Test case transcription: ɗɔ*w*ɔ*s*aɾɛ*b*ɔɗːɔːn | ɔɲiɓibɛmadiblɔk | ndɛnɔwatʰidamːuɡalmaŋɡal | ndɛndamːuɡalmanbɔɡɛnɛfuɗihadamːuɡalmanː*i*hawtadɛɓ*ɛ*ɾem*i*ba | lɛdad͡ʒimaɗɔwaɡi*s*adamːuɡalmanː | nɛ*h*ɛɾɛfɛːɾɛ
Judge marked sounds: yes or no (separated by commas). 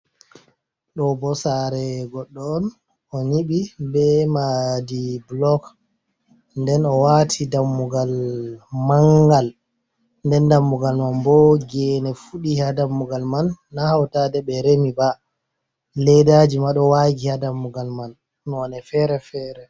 no, yes, no, no, yes, yes, no, no